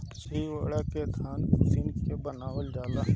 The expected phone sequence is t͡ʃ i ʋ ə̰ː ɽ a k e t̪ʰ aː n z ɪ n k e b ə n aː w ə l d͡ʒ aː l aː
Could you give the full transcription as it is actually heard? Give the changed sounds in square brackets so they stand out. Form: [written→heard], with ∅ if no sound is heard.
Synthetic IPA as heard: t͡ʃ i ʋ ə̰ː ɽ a k e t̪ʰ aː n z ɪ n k e b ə n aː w ə l d͡ʒ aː l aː